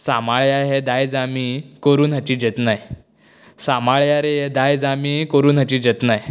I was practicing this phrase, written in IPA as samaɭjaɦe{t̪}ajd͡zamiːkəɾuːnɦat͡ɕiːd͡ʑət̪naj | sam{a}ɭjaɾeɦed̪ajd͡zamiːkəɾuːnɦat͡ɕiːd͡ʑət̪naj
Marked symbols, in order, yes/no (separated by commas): no, yes